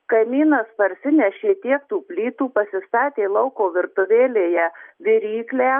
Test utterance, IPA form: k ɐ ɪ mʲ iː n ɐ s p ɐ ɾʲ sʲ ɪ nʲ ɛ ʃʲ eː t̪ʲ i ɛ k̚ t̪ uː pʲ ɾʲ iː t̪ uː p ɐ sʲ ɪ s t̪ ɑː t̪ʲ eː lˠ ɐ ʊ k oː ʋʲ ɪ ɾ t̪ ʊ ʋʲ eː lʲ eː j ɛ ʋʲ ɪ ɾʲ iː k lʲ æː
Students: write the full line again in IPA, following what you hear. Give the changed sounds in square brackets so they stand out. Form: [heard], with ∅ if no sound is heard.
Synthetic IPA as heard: k ɐ ɪ mʲ iː n ɐ s p ɐ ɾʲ sʲ ɪ nʲ ɛ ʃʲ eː t̪ʲ i ɛ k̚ t̪ uː pʲ [lʲ] iː t̪ uː p ɐ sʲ ɪ s t̪ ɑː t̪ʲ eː lˠ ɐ ʊ k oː ʋʲ ɪ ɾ t̪ ʊ ʋʲ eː lʲ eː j ɛ ʋʲ ɪ ɾʲ iː k lʲ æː

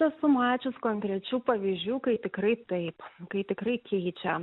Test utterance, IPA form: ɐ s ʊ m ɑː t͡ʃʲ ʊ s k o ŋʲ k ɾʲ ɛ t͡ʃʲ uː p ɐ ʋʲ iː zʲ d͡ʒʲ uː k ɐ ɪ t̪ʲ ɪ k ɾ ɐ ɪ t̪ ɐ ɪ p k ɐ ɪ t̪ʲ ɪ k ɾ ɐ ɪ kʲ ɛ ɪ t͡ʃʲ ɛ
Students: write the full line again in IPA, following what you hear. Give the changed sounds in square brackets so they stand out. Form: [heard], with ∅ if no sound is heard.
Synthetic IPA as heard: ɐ s ʊ m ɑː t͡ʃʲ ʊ s k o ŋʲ k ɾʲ ɛ t͡ʃʲ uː p ɐ ʋʲ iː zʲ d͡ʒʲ uː k ɐ ɪ t̪ʲ ɪ k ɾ ɐ ɪ t̪ ɐ ɪ p k ɐ ɪ t̪ʲ ɪ k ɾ ɐ ɪ kʲ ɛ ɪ t͡ʃʲ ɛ

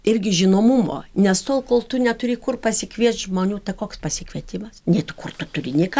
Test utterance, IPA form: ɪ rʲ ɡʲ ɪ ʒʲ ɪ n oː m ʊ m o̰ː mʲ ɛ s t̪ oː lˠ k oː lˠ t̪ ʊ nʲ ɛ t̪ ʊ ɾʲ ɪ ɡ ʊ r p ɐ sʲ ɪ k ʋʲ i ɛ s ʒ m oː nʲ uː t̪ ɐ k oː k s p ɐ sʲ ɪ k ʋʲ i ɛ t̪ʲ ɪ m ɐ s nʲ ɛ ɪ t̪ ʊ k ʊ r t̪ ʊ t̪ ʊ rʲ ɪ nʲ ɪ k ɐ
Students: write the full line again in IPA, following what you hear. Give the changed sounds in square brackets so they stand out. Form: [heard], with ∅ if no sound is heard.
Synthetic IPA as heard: ɪ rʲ ɡʲ ɪ ʒʲ ɪ n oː m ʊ m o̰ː [nʲ] ɛ s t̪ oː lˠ k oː lˠ t̪ ʊ nʲ ɛ t̪ ʊ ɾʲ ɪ [k] ʊ r p ɐ sʲ ɪ k ʋʲ i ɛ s ʒ m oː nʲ uː t̪ ɐ k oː k s p ɐ sʲ ɪ k ʋʲ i ɛ t̪ʲ ɪ m ɐ s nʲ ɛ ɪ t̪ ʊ k ʊ r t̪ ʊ t̪ ʊ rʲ ɪ nʲ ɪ k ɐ

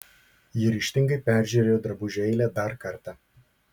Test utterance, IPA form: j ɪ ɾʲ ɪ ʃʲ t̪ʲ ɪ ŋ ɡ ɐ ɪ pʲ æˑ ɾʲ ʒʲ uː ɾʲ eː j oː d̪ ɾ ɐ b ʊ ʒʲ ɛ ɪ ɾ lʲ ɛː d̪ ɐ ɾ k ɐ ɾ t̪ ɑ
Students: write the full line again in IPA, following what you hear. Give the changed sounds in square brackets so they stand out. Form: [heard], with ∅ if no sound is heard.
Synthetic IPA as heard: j ɪ ɾʲ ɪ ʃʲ t̪ʲ ɪ ŋ ɡ ɐ ɪ pʲ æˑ ɾʲ ʒʲ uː ɾʲ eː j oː d̪ ɾ ɐ b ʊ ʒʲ ɛ ɪ [∅] lʲ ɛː d̪ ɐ ɾ k ɐ ɾ t̪ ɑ

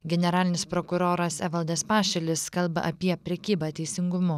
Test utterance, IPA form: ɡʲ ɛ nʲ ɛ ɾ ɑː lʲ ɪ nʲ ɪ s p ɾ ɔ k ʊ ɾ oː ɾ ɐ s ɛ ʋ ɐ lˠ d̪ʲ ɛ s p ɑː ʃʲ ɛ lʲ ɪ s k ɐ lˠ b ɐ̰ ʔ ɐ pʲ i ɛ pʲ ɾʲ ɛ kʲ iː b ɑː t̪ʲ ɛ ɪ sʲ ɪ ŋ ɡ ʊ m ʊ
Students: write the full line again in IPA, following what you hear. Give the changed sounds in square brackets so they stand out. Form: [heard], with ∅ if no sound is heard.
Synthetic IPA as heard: ɡʲ ɛ nʲ ɛ ɾ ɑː lʲ ɪ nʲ ɪ s p ɾ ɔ k ʊ ɾ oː ɾ ɐ s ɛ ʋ ɐ lˠ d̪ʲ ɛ s p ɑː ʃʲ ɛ lʲ ɪ s k ɐ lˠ b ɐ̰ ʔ ɐ pʲ i ɛ pʲ ɾʲ ɛ kʲ iː b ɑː t̪ʲ ɛ ɪ sʲ ɪ ŋ ɡ ʊ m ʊ

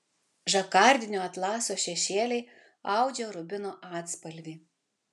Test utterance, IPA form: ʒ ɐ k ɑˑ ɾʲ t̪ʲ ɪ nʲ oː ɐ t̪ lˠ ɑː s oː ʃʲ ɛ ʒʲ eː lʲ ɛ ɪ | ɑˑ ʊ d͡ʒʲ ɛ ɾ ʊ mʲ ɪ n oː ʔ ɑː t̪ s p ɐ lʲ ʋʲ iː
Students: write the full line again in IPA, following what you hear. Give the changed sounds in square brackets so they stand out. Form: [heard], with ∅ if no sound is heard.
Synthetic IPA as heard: ʒ ɐ k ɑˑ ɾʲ [d̪ʲ] ɪ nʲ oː ɐ t̪ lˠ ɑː s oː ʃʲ ɛ [ʃʲ] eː lʲ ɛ ɪ | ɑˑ ʊ d͡ʒʲ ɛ ɾ ʊ [bʲ] ɪ n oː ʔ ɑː t̪ s p ɐ lʲ ʋʲ iː

